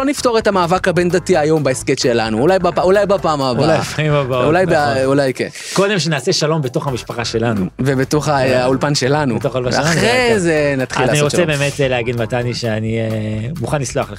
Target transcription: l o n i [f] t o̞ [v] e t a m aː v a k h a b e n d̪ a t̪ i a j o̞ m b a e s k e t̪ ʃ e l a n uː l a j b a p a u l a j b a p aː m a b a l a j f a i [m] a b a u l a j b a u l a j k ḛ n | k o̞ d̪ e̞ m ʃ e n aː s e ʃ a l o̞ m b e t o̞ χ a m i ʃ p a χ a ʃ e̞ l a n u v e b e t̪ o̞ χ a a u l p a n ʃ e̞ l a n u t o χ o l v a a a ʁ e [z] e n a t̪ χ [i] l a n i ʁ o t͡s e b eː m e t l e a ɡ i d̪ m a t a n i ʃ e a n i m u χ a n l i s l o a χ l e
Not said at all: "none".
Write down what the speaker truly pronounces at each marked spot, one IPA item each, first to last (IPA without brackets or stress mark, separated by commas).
f, ʁ, m, z, i